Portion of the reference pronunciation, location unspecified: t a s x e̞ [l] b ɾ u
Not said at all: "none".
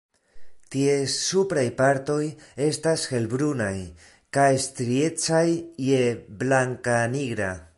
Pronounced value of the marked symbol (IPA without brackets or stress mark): l